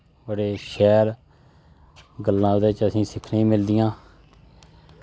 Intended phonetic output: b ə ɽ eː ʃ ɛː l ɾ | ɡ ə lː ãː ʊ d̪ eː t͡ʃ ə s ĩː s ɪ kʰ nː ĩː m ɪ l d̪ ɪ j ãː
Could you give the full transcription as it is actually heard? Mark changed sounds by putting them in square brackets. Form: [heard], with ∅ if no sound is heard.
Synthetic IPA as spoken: b ə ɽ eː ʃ ɛː [∅] ɾ | ɡ ə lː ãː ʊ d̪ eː t͡ʃ ə s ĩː s ɪ kʰ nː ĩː m ɪ l d̪ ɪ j ãː